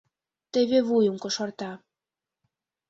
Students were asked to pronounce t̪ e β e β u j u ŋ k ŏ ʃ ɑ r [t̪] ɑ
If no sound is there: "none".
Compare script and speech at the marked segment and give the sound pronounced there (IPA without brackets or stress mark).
t̪